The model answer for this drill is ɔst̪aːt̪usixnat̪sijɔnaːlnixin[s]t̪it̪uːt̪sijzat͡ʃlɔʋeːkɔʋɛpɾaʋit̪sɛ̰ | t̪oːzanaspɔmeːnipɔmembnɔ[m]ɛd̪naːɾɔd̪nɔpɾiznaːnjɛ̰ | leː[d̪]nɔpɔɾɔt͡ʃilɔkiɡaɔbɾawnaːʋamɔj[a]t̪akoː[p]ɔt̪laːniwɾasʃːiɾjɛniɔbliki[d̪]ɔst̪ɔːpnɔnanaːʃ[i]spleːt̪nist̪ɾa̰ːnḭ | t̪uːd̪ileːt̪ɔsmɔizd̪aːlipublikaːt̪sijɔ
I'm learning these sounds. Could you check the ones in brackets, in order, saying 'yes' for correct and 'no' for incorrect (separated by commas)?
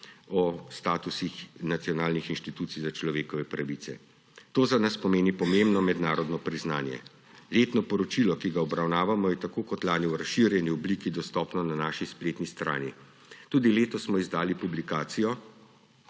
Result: no, yes, no, no, no, yes, yes